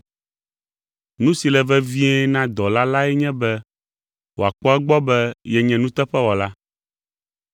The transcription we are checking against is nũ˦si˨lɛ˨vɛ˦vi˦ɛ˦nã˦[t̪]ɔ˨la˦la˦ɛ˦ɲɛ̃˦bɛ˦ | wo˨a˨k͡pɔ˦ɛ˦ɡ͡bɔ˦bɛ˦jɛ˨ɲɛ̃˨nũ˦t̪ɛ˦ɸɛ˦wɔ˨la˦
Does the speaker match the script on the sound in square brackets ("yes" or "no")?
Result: no